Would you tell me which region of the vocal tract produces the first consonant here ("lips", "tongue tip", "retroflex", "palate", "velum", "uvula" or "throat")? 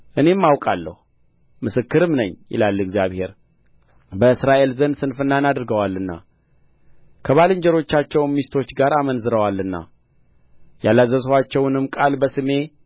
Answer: throat